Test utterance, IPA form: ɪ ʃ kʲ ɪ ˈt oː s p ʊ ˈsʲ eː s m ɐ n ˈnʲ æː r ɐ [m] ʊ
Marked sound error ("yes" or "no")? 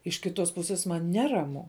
no